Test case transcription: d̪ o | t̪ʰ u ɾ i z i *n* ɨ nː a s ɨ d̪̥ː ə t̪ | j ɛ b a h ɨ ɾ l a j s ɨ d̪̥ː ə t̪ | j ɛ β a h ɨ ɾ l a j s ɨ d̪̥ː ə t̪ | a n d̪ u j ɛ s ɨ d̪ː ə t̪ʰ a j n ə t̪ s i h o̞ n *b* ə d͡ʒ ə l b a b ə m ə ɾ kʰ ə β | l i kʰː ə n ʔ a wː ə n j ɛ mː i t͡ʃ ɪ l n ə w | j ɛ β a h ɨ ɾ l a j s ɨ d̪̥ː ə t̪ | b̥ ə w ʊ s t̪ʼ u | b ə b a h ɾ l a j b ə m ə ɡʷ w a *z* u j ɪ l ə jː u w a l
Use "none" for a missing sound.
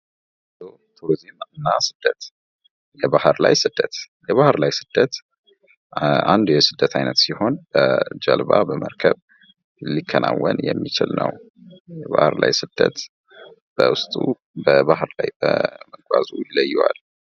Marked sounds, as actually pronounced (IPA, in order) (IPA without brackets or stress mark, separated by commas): m, b, z